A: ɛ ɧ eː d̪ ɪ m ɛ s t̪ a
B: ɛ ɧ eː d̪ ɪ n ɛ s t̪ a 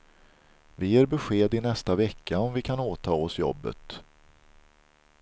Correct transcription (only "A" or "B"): B